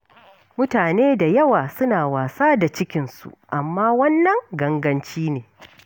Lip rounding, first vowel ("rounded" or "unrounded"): rounded